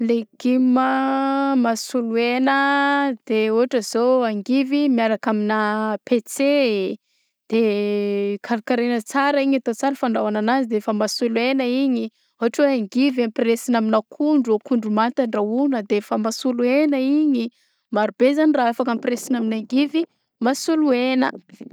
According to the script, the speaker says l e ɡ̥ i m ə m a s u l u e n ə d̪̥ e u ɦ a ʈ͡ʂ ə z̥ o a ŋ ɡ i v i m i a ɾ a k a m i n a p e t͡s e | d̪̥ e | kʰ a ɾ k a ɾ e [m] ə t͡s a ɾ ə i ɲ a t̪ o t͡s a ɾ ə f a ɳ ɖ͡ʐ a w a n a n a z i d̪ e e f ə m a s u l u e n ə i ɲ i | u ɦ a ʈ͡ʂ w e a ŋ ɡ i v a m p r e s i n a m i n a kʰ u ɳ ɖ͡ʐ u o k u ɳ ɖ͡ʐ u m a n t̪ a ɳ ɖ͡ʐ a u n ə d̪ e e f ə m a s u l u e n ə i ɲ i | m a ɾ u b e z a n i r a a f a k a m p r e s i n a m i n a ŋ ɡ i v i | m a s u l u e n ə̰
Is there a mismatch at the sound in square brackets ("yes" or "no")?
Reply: yes